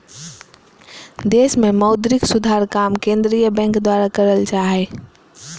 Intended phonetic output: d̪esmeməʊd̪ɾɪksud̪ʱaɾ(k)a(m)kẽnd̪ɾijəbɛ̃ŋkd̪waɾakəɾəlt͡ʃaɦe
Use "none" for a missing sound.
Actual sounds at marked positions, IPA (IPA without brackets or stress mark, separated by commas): k, m